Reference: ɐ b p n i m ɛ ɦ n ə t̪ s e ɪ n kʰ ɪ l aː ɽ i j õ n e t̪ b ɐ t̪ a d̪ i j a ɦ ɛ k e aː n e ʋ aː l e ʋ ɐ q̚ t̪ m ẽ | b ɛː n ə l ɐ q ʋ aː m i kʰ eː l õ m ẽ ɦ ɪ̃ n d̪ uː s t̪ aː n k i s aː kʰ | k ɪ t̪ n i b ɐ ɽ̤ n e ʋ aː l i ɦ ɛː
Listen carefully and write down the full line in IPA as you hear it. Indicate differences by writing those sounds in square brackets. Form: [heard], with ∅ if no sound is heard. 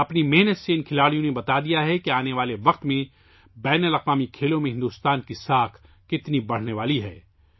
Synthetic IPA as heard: ɐ [∅] p n i m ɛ ɦ n ə t̪ s e ɪ n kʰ ɪ l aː ɽ i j õ n e [∅] b ɐ t̪ a d̪ i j a ɦ ɛ k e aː n e ʋ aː l e ʋ ɐ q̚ t̪ m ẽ | b ɛː n ə l ɐ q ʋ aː m i kʰ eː l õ m ẽ ɦ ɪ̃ n d̪ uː s t̪ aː n k i s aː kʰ | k ɪ t̪ n i b ɐ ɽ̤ n e ʋ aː l i ɦ ɛː

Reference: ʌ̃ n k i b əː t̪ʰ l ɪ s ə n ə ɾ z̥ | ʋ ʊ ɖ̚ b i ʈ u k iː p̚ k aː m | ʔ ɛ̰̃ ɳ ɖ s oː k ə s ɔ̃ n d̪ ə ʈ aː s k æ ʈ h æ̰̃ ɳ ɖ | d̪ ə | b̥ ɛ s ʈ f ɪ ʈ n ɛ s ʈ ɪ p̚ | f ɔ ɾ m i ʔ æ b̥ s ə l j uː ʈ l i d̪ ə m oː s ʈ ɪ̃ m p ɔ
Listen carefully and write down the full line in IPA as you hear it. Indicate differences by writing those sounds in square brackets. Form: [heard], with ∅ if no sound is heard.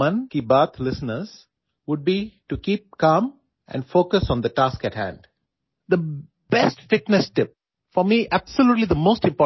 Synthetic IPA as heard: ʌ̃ n k i b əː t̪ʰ l ɪ s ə n ə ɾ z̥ | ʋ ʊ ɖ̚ b i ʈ u k iː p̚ k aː m | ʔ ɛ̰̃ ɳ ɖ [f] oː k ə s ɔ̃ n d̪ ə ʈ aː s k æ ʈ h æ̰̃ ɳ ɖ | d̪ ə | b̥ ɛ s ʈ f ɪ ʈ n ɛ s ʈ ɪ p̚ | f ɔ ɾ m i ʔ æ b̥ s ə l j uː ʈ l i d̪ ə m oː s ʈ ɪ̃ m p ɔ

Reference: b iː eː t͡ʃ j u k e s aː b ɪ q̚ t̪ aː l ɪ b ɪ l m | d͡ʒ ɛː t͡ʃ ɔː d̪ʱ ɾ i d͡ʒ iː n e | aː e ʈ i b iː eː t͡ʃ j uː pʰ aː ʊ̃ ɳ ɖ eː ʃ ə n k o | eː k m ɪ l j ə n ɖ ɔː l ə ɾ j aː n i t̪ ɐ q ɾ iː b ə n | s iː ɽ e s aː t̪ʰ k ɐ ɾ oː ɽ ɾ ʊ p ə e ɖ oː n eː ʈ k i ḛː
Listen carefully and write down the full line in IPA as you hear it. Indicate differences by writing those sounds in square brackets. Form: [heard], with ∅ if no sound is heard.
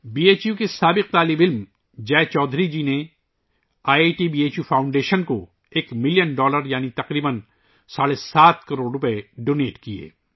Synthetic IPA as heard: b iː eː t͡ʃ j u k e s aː b ɪ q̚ t̪ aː l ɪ b ɪ l m | d͡ʒ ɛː t͡ʃ ɔː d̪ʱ ɾ i d͡ʒ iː n e | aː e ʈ i b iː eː t͡ʃ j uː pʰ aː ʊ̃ ɳ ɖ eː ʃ ə n k o | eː k m ɪ l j ə n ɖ ɔː l ə ɾ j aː n i t̪ ɐ q ɾ iː b ə n | s [aː] ɽ e s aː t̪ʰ k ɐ ɾ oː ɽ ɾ ʊ p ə e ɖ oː n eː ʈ k i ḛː

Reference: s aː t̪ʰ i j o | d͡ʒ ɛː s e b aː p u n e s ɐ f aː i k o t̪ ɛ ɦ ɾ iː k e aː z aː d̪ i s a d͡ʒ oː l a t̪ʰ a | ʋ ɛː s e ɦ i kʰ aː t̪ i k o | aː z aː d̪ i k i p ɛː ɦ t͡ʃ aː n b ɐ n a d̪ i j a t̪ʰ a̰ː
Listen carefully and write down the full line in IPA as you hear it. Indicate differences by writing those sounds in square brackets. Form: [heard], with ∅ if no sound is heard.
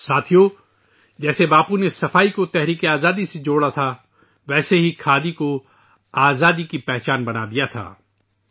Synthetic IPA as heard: s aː t̪ʰ i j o | d͡ʒ ɛː s e b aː p u n e s ɐ f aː i k o t̪ ɛ ɦ ɾ iː k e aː z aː d̪ i s [e] d͡ʒ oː [ɽ] a t̪ʰ a | ʋ ɛː s e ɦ i kʰ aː [d̪] i k o | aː z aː d̪ i k i p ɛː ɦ t͡ʃ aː n b ɐ n a d̪ i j a t̪ʰ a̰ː

